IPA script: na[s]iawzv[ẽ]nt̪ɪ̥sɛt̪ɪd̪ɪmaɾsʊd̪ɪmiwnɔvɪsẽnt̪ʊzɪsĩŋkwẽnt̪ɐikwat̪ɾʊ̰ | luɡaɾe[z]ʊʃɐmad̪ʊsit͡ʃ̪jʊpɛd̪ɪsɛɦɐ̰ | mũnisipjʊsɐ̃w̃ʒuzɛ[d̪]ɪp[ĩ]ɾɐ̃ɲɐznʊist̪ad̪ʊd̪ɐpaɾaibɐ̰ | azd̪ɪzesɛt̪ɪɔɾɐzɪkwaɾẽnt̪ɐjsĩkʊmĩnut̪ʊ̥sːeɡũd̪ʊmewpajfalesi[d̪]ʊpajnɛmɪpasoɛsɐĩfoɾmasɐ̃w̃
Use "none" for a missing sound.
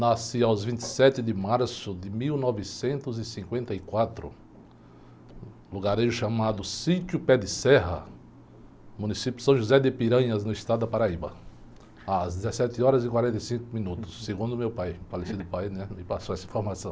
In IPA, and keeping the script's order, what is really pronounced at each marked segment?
s, ĩ, ʒ, d̪, i, d̪

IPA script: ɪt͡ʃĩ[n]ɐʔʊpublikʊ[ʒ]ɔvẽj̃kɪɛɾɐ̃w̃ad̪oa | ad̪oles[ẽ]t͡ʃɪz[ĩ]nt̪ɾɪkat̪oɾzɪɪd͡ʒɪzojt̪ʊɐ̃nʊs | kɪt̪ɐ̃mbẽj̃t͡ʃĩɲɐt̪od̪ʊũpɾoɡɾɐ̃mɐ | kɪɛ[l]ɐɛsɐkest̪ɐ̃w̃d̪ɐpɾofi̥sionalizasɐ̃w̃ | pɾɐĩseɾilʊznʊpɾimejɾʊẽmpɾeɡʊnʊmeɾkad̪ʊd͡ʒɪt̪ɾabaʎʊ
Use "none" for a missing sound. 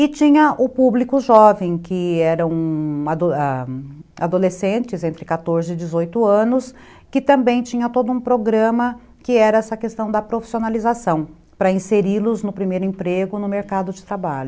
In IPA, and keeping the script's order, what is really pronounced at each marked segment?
ɲ, ʒ, ẽ, ẽ, ɾ

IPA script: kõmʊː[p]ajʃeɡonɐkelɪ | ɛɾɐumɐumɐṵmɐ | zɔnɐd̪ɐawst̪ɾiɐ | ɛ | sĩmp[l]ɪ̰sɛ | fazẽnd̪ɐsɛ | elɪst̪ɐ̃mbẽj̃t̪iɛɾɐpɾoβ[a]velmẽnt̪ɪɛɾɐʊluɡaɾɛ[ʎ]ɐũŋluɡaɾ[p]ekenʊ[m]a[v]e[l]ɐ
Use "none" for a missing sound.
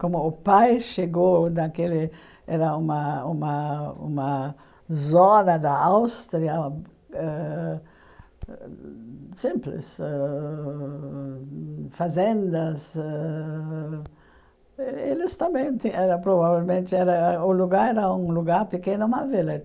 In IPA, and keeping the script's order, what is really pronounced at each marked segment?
p, l, a, ɾ, p, m, v, l

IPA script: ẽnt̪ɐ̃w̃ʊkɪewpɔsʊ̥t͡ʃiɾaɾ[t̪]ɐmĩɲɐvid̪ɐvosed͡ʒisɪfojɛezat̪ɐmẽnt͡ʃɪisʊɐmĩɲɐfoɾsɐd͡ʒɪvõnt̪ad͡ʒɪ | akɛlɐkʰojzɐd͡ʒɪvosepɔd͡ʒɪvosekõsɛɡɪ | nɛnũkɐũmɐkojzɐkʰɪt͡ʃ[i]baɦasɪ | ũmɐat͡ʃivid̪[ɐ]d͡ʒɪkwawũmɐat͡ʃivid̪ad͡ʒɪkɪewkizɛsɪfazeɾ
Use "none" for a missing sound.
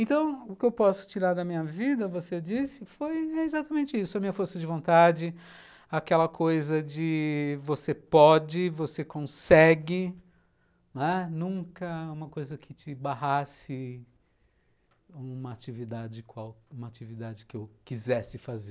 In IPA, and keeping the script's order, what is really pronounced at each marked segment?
d̪, ɪ, a

